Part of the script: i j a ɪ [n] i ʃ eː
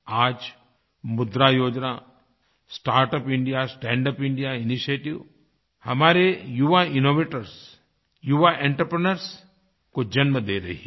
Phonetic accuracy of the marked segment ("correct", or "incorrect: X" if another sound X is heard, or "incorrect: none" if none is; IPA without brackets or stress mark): correct